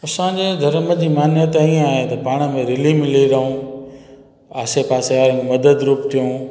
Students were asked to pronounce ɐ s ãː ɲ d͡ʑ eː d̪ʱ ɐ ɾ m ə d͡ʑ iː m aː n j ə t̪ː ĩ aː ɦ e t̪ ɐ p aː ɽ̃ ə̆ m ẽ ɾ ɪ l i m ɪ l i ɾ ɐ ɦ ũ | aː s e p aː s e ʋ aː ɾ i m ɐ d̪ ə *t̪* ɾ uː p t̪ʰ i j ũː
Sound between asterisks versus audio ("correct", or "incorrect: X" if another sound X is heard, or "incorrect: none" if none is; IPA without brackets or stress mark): incorrect: d̪